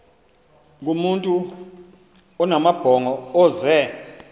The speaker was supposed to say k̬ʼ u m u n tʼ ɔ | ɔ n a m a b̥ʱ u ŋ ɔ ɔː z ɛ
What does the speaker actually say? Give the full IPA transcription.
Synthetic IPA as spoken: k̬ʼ u m u n tʼ u | ɔ n a m a b̥ʱ ɔ ŋ ɔ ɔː z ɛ